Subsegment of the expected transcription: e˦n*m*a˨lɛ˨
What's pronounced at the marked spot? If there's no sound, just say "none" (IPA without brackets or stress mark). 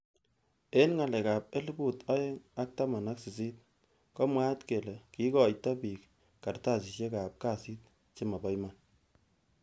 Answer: ŋ